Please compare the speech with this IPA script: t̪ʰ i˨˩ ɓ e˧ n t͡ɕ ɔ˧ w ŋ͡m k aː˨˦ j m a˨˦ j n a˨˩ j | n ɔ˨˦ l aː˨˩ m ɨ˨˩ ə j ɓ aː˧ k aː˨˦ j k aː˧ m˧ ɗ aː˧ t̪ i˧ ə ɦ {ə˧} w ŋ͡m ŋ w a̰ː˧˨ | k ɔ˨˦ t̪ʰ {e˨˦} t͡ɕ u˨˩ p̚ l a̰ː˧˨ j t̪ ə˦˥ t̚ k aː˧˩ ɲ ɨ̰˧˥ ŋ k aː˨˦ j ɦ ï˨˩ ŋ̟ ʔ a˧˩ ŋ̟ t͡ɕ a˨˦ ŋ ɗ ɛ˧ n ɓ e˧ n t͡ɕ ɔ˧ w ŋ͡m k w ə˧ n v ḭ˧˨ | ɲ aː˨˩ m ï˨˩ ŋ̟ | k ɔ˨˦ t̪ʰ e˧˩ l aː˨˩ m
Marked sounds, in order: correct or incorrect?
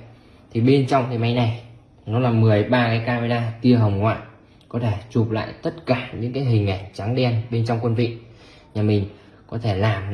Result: incorrect: ə˨˩, incorrect: e˧˩

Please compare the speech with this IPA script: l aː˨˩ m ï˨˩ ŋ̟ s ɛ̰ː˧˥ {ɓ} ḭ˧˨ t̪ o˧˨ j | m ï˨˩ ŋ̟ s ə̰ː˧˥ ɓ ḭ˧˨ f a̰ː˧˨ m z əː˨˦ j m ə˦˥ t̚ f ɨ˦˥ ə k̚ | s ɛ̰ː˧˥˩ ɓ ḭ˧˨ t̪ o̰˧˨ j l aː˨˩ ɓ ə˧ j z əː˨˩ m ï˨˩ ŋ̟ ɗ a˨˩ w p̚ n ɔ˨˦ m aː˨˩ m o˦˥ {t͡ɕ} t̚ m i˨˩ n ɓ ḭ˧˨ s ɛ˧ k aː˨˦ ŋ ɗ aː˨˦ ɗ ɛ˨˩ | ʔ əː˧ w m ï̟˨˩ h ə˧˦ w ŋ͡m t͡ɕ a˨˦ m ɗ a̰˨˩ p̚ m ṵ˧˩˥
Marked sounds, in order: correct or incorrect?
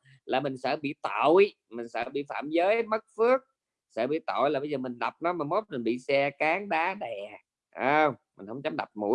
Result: correct, incorrect: none

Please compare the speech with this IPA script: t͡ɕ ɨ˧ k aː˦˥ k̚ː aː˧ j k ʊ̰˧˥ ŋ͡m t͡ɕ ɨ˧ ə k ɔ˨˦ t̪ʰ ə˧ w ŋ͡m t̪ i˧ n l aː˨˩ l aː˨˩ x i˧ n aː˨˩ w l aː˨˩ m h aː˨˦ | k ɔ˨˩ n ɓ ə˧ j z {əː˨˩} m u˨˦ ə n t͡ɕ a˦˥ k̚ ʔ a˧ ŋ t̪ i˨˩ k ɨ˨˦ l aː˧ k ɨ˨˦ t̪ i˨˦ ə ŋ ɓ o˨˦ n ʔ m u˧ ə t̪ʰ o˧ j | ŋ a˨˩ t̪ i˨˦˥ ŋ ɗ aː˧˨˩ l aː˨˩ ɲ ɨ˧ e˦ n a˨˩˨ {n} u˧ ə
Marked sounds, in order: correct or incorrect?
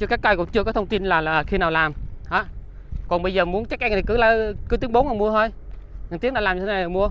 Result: correct, incorrect: m

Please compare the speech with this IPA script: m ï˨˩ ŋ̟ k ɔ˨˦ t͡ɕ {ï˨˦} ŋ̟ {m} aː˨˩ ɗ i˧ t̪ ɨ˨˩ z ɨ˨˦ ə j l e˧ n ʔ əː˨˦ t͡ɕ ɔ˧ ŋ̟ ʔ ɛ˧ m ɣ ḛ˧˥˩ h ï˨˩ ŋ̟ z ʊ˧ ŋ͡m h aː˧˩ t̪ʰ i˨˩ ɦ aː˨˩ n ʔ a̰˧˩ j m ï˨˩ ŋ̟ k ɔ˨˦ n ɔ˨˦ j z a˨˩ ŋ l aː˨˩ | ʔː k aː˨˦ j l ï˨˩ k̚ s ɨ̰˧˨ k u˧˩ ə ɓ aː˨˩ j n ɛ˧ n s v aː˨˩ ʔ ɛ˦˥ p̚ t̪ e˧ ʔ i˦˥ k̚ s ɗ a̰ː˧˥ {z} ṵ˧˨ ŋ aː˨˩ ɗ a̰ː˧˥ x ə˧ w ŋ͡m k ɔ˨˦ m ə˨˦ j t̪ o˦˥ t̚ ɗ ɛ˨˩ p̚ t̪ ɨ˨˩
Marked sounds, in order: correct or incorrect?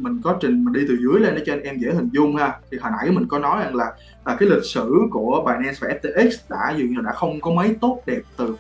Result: incorrect: ï˨˩, correct, correct

